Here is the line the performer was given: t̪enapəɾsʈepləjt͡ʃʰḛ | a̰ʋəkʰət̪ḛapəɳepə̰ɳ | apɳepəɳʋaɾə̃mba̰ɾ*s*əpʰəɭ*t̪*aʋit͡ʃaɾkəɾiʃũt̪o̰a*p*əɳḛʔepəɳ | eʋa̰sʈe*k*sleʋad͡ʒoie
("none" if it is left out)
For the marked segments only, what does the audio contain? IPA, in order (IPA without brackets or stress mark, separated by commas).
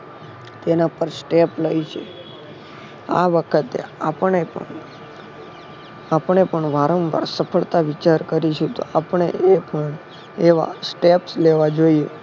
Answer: s, t̪, p, p